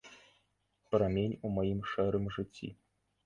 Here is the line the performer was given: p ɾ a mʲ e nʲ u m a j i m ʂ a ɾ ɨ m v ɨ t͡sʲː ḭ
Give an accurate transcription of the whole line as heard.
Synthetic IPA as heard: p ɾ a mʲ e nʲ u m a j i m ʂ ɛ ɾ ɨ m ʐ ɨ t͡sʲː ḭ